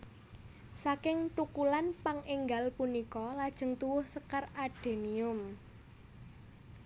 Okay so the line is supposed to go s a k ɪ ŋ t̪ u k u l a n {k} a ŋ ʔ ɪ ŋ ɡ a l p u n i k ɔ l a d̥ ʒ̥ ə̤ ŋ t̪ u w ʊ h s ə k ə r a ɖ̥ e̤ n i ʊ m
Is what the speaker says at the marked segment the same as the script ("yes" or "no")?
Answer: no